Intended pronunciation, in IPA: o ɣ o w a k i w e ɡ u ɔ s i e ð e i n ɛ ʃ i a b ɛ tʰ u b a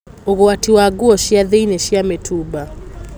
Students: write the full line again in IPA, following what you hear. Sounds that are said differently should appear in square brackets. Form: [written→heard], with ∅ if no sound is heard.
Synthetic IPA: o ɣ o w a [k→t] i w [e→a] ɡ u ɔ [s→ʃ] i [e→a] ð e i n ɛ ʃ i a [b→m] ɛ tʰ u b a